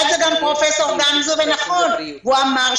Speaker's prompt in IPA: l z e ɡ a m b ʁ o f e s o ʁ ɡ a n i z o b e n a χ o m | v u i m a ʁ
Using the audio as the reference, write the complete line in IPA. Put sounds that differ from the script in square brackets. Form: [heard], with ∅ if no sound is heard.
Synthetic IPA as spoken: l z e ɡ a m [p] ʁ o f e s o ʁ ɡ a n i z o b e n a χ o [n] | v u [a] m a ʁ